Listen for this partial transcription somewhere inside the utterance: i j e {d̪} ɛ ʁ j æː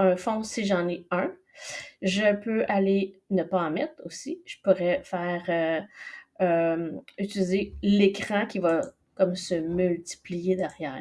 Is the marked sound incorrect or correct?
correct